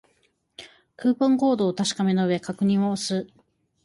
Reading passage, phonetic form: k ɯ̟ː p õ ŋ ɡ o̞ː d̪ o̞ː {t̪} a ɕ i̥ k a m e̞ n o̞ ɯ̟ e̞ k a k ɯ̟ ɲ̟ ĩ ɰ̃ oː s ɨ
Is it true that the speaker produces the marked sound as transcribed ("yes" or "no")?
yes